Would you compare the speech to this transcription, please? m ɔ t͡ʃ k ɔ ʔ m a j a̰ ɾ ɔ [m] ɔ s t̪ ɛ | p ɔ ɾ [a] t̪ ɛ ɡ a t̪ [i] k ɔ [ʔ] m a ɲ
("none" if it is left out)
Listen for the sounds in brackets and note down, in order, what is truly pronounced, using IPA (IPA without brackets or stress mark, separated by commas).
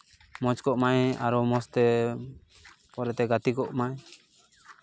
m, ɛ, i, ʔ